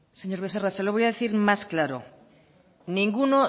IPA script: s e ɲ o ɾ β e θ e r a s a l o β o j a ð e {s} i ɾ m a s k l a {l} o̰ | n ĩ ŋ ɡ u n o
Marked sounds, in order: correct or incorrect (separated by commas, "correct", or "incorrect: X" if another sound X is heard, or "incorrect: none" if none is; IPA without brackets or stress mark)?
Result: incorrect: θ, incorrect: ɾ